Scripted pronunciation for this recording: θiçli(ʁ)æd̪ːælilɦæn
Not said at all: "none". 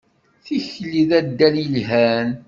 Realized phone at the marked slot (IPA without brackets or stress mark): ð